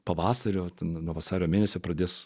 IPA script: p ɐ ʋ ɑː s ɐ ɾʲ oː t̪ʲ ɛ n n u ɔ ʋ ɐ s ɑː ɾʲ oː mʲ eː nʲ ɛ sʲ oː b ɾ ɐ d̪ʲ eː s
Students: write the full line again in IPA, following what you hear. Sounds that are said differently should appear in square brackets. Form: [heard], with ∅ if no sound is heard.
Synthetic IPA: p ɐ ʋ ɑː s ɐ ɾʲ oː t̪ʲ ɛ n n u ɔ ʋ ɐ s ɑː ɾʲ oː mʲ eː nʲ ɛ sʲ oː [p] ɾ ɐ d̪ʲ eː s